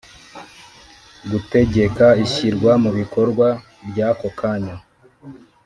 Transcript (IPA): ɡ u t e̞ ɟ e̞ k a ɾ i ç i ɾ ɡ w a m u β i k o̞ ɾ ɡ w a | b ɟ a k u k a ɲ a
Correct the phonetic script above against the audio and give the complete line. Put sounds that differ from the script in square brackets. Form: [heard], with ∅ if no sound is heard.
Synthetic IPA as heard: ɡ u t e̞ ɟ e̞ k a [∅] i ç i ɾ ɡ w a m u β i k o̞ ɾ ɡ w a | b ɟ a k [o] k a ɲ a